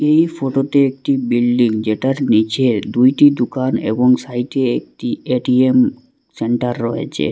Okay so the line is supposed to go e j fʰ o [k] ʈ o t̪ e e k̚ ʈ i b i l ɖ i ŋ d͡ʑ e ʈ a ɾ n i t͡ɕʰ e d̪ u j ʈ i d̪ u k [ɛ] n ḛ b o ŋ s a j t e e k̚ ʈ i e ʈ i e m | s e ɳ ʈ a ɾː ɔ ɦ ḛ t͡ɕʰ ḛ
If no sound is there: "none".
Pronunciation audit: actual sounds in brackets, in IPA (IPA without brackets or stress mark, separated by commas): none, a